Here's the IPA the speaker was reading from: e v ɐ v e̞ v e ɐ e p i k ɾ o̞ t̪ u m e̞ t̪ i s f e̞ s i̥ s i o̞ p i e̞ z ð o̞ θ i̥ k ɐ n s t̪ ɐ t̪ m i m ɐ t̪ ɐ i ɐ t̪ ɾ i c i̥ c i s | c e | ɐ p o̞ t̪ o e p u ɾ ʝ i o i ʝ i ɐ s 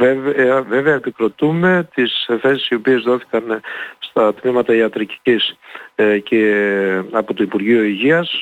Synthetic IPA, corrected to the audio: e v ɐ v e̞ v e ɐ e p i k ɾ o̞ t̪ u m e̞ t̪ i s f e̞ s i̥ s i o̞ p i e̞ z ð o̞ θ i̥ k ɐ n s t̪ ɐ t̪ m i m ɐ t̪ ɐ i ɐ t̪ ɾ i c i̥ c i s | c e | ɐ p o̞ t̪ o i p u ɾ ʝ i o i ʝ i ɐ s